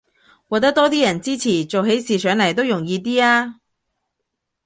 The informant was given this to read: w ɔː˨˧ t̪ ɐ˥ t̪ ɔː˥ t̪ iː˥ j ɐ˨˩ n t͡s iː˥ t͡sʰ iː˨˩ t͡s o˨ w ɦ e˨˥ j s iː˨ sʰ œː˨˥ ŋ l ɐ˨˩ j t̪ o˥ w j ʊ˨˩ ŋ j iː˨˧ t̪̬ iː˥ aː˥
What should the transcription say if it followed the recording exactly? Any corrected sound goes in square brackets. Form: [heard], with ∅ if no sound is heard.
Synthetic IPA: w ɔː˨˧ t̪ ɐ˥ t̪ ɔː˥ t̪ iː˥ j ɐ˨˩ n t͡s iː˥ t͡sʰ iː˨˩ t͡s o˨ w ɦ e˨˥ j s iː˨ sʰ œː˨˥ ŋ l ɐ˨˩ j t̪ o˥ w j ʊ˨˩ ŋ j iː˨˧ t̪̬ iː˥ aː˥

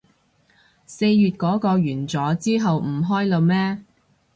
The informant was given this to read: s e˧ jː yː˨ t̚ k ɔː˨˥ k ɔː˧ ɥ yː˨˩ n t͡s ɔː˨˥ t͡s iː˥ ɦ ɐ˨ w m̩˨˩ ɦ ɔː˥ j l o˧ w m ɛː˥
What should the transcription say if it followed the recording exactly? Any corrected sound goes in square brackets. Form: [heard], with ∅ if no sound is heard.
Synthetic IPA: s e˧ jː yː˨ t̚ k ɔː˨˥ k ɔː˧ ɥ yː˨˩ n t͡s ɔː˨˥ t͡s iː˥ ɦ ɐ˨ w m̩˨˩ ɦ ɔː˥ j l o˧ w m ɛː˥

